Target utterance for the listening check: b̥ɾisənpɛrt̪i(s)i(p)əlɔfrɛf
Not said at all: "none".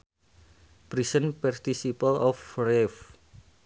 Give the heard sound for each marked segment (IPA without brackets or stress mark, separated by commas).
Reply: s, p